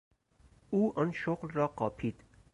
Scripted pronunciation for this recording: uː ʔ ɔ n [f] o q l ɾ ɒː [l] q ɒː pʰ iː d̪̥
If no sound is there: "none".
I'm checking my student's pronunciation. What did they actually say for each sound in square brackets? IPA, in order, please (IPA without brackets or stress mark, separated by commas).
ʃ, none